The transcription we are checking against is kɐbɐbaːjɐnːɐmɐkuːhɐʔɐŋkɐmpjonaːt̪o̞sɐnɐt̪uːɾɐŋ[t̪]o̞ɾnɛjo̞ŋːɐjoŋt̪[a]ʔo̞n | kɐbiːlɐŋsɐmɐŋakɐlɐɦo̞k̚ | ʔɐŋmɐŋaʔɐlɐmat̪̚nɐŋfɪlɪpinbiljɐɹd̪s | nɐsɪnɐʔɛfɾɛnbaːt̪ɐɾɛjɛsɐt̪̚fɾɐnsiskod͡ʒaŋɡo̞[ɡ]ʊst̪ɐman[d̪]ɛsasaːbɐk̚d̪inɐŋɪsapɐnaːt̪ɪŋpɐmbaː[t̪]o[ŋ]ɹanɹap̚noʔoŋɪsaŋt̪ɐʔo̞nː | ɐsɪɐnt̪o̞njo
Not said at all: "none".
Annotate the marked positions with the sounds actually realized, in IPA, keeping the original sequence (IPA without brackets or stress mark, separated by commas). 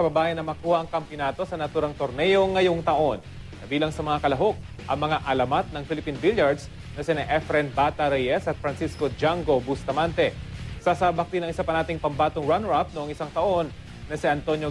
t̪, ɐ, b, t̪, t̪, ŋ